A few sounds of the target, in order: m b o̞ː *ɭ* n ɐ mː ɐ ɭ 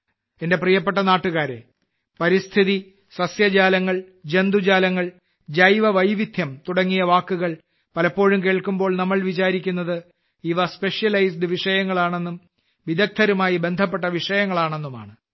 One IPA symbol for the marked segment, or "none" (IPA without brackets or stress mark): ɭ